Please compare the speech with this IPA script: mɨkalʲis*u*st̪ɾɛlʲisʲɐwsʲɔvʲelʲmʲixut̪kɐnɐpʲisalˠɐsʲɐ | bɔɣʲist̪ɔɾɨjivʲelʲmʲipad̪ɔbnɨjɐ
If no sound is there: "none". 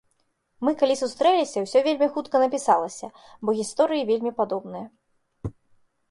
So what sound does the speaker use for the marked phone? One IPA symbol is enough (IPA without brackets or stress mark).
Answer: u